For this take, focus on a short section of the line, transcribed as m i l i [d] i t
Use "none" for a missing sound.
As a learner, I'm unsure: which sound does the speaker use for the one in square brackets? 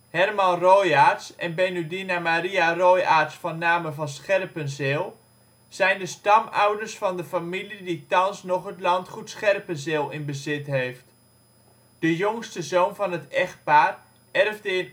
d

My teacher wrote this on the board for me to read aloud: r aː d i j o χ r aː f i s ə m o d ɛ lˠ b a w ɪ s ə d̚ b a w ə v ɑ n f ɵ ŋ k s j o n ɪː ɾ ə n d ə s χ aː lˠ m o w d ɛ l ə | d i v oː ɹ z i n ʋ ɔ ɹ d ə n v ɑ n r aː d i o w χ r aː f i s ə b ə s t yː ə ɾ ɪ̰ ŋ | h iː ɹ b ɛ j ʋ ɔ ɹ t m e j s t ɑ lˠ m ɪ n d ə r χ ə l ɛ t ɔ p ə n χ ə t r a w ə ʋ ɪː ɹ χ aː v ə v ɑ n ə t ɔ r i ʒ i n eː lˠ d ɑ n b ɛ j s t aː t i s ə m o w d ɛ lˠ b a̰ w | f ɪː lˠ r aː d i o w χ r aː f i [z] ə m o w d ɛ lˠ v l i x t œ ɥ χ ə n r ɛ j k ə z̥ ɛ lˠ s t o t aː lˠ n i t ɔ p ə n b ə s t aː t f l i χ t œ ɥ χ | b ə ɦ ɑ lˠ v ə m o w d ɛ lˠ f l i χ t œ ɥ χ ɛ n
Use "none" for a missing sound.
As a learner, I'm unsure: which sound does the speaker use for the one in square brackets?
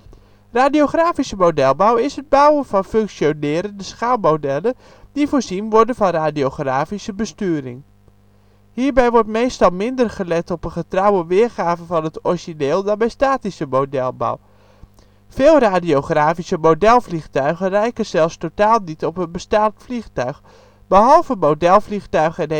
s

